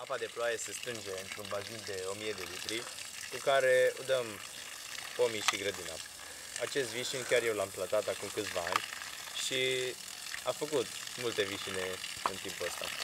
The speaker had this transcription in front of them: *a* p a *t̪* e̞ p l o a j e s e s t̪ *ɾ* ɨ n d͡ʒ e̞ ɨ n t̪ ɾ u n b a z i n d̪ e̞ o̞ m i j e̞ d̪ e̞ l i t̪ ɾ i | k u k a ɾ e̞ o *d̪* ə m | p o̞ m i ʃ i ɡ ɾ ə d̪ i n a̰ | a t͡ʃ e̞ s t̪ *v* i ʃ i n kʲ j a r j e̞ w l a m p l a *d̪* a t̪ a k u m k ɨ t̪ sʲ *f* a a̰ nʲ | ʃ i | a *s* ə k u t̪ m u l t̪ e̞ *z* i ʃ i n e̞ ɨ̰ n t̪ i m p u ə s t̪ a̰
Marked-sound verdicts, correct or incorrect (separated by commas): correct, incorrect, correct, correct, correct, incorrect, incorrect, incorrect, incorrect